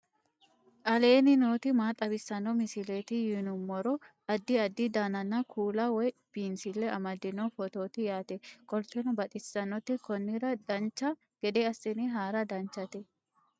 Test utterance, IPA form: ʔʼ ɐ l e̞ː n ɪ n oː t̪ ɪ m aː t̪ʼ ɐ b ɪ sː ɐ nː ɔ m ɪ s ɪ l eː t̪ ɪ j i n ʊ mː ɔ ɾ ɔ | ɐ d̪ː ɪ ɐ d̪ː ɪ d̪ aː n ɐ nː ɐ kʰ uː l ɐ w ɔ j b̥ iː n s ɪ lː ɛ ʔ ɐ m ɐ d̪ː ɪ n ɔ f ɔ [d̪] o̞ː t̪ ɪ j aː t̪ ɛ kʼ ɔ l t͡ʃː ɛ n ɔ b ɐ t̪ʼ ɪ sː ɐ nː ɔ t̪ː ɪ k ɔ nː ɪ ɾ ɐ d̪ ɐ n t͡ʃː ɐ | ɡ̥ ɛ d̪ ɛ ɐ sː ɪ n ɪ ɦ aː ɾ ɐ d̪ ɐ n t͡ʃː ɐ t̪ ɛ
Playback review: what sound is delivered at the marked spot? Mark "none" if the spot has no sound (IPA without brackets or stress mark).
t̪